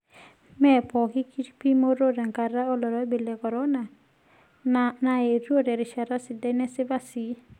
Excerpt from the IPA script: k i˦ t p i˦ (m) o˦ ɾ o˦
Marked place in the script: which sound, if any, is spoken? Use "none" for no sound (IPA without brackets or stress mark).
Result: m